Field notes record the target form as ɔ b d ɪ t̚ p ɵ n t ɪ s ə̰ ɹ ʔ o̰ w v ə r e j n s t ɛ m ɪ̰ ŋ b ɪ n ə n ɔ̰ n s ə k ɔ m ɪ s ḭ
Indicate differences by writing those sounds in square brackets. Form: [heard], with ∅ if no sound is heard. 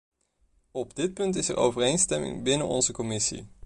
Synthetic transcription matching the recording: ɔ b d ɪ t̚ p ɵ n t ɪ s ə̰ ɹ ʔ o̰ w v ə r e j n s t ɛ m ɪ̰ ŋ b ɪ n ə n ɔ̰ n [z] ə k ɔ m ɪ s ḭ